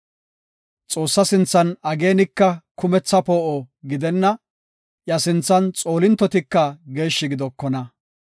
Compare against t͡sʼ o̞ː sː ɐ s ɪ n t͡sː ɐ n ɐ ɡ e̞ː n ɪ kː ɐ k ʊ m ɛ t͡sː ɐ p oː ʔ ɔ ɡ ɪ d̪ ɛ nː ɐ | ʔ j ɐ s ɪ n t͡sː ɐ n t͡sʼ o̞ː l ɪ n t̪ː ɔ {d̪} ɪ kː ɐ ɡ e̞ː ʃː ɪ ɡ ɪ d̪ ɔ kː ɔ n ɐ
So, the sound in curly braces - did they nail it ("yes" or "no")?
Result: no